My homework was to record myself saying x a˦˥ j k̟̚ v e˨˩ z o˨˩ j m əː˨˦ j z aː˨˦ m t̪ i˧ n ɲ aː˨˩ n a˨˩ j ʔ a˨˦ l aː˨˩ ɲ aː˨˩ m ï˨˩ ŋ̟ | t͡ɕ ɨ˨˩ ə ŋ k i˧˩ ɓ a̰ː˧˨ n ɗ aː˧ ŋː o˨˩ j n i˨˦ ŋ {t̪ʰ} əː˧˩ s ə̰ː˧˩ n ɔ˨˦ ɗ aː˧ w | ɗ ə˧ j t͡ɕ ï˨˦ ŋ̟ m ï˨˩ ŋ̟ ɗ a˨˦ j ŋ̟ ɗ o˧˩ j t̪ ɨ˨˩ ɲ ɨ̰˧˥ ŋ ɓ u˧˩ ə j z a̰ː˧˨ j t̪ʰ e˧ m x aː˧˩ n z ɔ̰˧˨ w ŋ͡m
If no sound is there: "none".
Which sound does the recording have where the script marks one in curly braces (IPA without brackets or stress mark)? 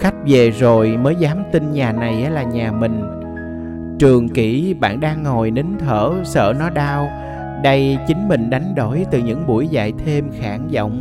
t̪ʰ